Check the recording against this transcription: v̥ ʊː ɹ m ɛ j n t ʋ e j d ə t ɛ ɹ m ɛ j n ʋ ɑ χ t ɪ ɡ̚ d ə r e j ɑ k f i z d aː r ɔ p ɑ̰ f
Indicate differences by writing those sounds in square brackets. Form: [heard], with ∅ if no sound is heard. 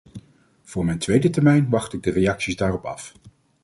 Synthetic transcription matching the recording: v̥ ʊː ɹ m ɛ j n t ʋ e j d ə t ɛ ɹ m ɛ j n ʋ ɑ χ t ɪ ɡ̚ d ə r e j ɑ k [s] i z d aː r ɔ p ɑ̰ f

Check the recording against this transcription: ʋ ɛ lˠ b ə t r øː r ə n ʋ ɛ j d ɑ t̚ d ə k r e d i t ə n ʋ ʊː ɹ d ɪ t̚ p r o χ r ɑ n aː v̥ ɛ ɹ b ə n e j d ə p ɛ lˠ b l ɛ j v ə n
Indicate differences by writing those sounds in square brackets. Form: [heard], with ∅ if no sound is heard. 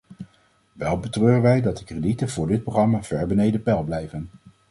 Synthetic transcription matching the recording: ʋ ɛ lˠ b ə t r øː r ə n ʋ ɛ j d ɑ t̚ d ə k r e d i t ə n [v] ʊː ɹ d ɪ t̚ p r o χ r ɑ [m] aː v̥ ɛ ɹ b ə n e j d ə p ɛ lˠ b l ɛ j v ə n

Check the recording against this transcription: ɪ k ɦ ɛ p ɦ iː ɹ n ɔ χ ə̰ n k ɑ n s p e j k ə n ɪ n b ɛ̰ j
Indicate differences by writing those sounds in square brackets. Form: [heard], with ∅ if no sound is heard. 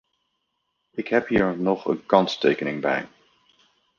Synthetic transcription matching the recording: ɪ k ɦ ɛ p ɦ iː ɹ n ɔ χ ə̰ n k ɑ n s [t] e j k ə n ɪ [ŋ] b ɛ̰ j

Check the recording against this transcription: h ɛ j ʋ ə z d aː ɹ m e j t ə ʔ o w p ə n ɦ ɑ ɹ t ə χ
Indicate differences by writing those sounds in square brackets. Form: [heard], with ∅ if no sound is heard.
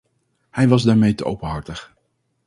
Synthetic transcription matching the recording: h ɛ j ʋ [ɑ] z d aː ɹ m e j t ə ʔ o w p ə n ɦ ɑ ɹ t ə χ

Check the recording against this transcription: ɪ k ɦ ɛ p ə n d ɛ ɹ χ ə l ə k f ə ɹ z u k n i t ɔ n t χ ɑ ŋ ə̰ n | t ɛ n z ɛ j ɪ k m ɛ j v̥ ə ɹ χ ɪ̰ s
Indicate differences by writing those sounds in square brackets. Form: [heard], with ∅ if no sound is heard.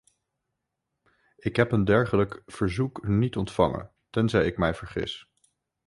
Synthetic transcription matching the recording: ɪ k ɦ ɛ p ə n d ɛ ɹ χ ə l ə k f ə ɹ z u k n i t ɔ n t [f] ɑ ŋ ə̰ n | t ɛ n z ɛ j ɪ k m ɛ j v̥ ə ɹ χ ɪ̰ s

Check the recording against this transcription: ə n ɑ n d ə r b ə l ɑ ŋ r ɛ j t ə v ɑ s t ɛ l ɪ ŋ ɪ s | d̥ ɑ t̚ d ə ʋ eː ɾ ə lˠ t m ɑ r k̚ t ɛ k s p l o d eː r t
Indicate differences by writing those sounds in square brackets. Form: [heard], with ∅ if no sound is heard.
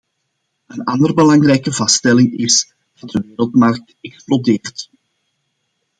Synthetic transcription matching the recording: ə n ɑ n d ə r b ə l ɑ ŋ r ɛ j [k] ə v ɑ s t ɛ l ɪ ŋ ɪ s | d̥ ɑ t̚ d ə ʋ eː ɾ ə lˠ t m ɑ r k̚ t ɛ k s p l o d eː r t

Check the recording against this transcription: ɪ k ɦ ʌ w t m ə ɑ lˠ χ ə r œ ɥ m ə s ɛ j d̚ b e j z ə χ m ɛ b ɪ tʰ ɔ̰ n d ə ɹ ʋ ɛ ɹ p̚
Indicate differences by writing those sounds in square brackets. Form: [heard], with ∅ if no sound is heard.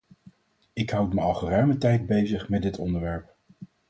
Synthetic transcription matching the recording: ɪ k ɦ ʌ w t m ə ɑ lˠ χ ə r œ ɥ m ə [t] ɛ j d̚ b e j z ə χ m ɛ [d] ɪ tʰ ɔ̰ n d ə ɹ ʋ ɛ ɹ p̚

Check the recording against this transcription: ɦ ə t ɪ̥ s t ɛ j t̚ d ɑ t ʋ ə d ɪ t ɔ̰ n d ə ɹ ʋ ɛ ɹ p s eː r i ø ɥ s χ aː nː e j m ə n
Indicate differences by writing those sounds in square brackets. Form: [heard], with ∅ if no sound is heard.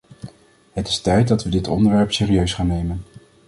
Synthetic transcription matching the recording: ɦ ə t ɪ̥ s t ɛ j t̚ d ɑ t ʋ ə d ɪ t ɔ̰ n d ə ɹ ʋ ɛ ɹ p s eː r i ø ɥ s χ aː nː e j m ə n

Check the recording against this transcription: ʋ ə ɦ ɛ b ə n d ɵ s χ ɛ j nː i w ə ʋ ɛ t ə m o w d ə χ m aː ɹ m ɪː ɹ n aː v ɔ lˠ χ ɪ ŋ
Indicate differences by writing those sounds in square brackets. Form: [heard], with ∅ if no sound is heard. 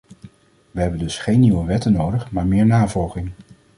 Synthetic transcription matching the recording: ʋ ə ɦ ɛ b ə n d ɵ s χ [e] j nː i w ə ʋ ɛ t ə [n] o w d ə χ m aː ɹ m ɪː ɹ n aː v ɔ lˠ χ ɪ ŋ

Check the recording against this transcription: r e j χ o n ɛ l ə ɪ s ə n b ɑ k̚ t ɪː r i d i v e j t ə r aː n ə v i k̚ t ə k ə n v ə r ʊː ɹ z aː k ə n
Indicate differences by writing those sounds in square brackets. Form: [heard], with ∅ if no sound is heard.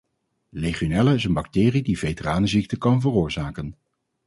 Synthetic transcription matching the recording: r e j χ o n ɛ l ə ɪ s ə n b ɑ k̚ t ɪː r i d i v e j t ə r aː n ə [z] i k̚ t ə k [ɑ] n v ə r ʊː ɹ z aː k ə n

